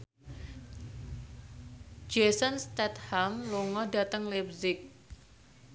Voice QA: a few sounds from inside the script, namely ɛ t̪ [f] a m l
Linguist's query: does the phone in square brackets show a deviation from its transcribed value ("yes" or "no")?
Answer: yes